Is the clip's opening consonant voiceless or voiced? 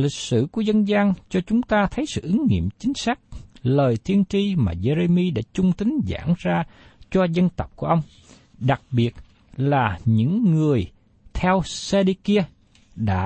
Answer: voiced